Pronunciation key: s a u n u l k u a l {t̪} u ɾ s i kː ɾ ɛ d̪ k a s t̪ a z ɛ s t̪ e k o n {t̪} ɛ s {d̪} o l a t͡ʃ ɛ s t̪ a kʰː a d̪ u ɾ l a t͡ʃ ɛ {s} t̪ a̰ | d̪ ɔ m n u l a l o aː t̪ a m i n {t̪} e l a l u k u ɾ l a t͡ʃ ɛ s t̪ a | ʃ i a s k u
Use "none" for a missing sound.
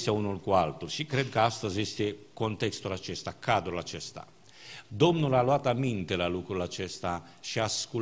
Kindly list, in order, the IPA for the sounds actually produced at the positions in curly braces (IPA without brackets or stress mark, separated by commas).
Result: t̪, t̪, t̪, s, t̪